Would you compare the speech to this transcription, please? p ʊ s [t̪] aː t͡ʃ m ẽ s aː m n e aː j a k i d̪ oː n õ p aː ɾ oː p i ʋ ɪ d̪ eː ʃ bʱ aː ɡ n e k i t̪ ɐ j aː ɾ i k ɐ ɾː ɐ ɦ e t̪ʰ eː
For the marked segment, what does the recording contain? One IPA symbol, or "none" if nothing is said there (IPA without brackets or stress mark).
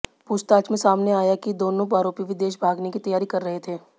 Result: t̪